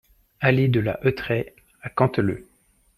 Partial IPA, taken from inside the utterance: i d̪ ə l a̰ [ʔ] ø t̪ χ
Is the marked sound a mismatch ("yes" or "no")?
no